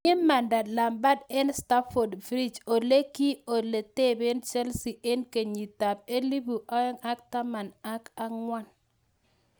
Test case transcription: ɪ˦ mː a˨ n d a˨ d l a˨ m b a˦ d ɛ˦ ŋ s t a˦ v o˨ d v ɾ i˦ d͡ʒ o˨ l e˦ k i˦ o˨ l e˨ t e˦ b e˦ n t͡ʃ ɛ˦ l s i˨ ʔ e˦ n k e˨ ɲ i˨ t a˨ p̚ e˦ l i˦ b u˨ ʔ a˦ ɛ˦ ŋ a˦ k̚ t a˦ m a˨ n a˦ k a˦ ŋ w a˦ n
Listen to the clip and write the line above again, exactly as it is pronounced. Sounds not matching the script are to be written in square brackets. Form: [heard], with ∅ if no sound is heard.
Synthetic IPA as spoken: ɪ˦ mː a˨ n d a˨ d l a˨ m b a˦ d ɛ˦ [n] s t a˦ [f] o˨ d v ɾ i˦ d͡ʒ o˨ l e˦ k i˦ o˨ l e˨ t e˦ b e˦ n t͡ʃ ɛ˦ l s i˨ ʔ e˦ n k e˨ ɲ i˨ t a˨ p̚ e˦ l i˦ b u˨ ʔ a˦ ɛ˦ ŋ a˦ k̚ t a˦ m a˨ n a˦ k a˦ ŋ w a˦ n